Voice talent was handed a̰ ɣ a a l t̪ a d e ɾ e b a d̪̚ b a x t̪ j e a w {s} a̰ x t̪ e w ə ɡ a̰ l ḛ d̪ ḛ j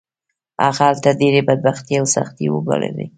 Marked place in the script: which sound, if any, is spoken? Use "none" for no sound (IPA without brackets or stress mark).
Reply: s